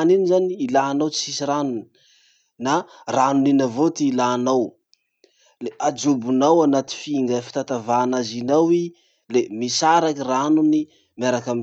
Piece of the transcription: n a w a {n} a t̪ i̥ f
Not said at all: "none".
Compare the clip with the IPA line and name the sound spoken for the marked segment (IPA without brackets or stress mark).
n